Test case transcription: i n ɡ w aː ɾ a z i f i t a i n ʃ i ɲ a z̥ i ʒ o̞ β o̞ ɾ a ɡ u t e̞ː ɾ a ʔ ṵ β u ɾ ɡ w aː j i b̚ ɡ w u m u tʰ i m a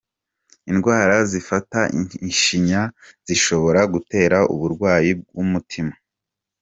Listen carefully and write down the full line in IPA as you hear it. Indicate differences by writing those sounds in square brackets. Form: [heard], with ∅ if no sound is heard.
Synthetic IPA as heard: i n ɡ w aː ɾ a z i f [a] t a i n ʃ i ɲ a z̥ i [ʃ] o̞ β o̞ ɾ a ɡ u t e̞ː ɾ a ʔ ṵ β u ɾ ɡ w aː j i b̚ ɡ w u m u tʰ i m a